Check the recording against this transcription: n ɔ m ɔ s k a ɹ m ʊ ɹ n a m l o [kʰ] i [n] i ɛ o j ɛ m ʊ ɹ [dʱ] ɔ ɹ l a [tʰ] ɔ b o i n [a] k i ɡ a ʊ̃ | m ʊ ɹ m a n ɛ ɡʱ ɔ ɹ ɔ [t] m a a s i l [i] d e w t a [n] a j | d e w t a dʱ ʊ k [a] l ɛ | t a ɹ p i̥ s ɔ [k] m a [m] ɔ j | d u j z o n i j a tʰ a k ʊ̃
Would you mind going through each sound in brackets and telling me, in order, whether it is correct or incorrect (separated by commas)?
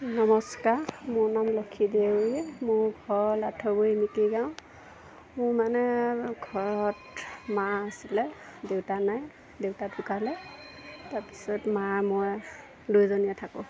correct, incorrect, incorrect, correct, incorrect, correct, incorrect, correct, correct, incorrect, correct